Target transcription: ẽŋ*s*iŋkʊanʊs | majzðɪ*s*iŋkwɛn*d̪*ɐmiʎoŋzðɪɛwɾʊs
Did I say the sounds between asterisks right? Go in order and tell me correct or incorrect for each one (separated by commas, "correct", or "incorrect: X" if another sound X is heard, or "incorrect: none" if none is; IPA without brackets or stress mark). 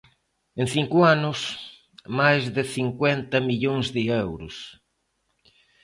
incorrect: θ, incorrect: θ, incorrect: t̪